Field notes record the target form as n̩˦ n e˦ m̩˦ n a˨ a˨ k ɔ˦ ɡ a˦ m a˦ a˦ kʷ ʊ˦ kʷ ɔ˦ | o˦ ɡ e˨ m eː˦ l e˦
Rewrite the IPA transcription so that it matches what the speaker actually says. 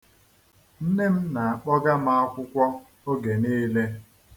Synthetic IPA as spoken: n̩˦ n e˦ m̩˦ n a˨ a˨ k͡p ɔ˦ ɡ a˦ m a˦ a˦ kʷ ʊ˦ kʷ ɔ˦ | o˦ ɡ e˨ n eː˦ l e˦